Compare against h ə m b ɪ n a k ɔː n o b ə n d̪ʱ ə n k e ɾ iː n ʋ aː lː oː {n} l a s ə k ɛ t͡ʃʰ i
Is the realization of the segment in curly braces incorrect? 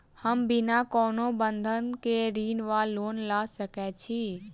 no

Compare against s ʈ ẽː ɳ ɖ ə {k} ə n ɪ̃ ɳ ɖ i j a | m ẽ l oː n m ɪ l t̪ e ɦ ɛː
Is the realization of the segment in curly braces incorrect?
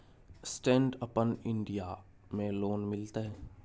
yes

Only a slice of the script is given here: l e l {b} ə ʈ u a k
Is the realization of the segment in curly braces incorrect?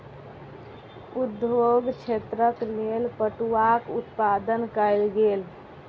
yes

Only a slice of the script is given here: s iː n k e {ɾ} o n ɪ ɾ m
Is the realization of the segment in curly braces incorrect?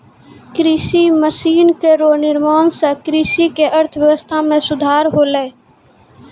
no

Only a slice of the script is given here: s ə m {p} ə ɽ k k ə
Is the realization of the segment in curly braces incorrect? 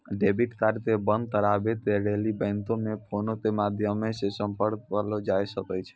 no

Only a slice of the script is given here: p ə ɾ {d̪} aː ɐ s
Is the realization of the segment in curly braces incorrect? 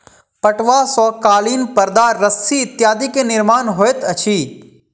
no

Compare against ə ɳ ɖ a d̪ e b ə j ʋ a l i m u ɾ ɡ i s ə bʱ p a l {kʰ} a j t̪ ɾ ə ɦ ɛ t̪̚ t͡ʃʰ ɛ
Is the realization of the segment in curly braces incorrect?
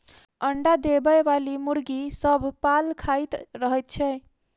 no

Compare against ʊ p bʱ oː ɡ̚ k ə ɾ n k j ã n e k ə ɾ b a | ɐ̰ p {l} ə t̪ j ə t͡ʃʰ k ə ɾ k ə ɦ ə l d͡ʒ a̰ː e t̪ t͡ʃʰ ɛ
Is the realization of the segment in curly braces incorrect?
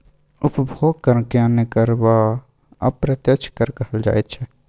yes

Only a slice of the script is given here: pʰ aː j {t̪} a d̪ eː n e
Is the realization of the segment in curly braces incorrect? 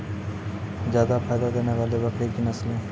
yes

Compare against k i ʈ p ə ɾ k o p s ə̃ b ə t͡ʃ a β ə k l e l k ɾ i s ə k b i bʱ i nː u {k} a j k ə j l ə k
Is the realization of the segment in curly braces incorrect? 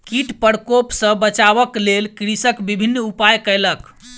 yes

